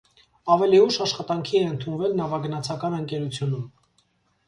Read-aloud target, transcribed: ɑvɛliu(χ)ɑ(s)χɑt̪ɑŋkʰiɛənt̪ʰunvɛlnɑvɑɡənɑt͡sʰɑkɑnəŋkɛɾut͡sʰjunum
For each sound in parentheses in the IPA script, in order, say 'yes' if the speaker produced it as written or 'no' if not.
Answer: no, no

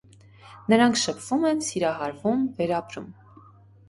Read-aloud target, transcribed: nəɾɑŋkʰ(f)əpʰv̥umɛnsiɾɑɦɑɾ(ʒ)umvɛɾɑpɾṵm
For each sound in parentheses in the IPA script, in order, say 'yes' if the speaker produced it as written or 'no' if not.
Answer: no, no

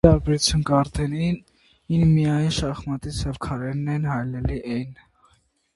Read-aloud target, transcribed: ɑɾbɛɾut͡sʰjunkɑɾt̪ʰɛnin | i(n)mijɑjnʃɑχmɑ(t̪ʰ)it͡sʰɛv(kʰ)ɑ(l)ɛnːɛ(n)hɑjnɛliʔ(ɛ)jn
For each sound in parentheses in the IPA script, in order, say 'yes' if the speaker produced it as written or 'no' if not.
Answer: yes, no, yes, no, yes, yes

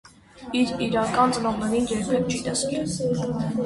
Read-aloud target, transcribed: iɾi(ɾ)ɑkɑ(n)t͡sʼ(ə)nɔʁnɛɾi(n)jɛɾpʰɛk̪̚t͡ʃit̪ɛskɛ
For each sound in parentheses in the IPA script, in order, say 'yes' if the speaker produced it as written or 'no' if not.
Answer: yes, yes, yes, yes

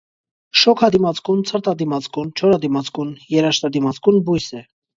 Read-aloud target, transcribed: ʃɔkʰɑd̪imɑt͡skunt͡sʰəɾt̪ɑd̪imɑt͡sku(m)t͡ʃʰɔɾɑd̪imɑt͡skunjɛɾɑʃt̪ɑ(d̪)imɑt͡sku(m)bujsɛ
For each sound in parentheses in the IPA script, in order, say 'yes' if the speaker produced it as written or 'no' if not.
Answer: no, yes, no

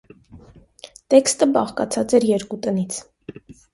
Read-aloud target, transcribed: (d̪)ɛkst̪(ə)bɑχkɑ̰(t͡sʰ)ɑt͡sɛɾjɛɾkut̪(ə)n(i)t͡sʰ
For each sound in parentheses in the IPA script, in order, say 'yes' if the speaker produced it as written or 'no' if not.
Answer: no, yes, yes, yes, yes

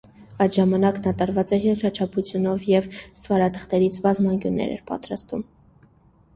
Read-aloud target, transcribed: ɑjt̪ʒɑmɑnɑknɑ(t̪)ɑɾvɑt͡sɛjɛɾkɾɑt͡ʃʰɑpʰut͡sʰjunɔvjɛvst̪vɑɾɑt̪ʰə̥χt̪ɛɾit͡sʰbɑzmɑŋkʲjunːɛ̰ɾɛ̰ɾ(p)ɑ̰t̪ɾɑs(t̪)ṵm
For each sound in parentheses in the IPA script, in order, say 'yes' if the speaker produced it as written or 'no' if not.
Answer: yes, yes, yes

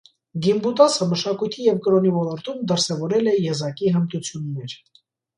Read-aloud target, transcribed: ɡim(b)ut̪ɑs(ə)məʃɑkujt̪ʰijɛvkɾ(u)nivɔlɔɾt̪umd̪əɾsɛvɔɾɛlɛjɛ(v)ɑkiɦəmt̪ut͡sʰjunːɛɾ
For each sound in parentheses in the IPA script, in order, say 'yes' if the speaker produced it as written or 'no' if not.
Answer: yes, yes, no, no

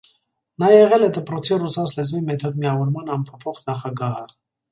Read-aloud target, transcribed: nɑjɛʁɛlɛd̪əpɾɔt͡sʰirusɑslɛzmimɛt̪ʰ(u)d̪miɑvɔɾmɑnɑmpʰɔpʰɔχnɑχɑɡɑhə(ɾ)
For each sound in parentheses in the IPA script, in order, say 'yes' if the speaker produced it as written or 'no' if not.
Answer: no, no

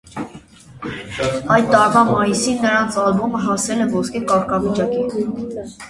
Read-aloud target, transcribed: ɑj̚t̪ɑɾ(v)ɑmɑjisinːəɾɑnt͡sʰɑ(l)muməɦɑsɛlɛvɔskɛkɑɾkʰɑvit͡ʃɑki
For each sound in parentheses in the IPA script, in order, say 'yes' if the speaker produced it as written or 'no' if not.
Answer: yes, yes

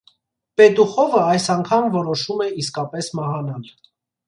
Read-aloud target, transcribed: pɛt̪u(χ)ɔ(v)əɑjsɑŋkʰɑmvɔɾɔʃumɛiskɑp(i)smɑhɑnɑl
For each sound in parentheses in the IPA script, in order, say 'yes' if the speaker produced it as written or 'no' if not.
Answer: yes, yes, no

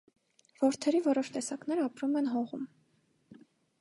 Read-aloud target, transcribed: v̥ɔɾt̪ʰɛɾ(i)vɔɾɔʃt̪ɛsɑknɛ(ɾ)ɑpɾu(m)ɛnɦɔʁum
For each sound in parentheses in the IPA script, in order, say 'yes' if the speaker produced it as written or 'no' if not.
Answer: yes, yes, yes

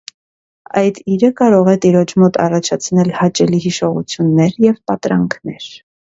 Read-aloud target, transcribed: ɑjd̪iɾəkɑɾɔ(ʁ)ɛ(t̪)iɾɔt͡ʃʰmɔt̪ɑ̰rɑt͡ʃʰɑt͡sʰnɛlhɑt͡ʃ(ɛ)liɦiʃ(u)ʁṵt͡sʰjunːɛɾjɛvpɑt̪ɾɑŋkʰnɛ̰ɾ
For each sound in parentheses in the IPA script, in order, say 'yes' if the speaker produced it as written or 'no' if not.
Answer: yes, yes, yes, no

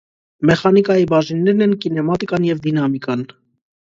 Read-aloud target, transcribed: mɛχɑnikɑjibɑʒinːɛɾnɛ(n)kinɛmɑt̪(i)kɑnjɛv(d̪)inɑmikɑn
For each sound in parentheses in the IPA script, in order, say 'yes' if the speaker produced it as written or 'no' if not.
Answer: yes, yes, yes

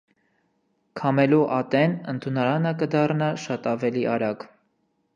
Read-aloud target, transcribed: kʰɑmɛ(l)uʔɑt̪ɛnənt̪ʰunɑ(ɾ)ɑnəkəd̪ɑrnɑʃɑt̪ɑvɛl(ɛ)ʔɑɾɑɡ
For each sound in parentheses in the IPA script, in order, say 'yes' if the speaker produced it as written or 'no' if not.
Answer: yes, yes, no

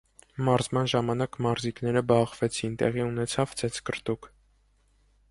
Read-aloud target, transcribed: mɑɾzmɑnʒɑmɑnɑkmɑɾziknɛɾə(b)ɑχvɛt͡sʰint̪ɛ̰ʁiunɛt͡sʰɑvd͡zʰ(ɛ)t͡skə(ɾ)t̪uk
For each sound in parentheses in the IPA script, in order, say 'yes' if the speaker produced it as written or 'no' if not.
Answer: yes, yes, yes

